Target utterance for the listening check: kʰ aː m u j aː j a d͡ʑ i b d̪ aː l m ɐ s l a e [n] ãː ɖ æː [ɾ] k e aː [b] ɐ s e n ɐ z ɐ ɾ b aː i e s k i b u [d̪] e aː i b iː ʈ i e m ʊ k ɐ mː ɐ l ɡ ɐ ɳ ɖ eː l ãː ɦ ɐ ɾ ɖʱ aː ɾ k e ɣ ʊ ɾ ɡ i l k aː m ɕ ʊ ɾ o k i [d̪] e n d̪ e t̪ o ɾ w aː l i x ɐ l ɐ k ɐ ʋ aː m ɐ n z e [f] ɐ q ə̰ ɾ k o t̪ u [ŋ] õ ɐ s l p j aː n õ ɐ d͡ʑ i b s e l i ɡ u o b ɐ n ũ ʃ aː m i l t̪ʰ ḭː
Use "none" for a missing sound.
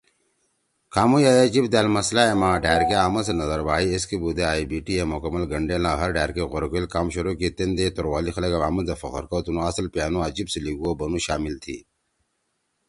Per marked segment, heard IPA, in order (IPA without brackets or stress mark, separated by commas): m, ɾ, m, d̪, t̪, f, n